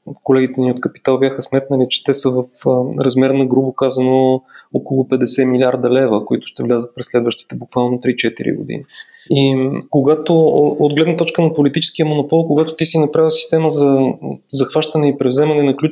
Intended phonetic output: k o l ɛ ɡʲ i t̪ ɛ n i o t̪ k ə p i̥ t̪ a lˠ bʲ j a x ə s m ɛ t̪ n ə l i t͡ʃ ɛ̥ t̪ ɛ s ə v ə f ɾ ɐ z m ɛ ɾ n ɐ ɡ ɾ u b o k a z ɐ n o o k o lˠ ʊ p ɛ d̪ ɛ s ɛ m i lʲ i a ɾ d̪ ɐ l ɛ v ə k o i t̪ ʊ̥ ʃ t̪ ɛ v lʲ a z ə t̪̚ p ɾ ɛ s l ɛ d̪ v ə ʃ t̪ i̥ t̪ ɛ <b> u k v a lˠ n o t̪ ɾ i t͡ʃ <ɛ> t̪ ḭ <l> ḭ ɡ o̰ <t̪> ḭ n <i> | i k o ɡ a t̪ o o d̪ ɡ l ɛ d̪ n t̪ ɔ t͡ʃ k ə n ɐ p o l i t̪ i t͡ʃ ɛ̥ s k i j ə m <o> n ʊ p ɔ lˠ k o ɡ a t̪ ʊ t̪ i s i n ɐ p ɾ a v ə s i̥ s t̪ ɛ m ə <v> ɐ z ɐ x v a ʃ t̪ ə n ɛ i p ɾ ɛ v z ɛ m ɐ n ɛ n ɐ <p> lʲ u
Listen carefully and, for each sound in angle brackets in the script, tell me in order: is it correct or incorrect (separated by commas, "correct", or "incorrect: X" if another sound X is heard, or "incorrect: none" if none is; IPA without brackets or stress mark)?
correct, correct, incorrect: ɾ, incorrect: d̪, correct, correct, incorrect: z, incorrect: k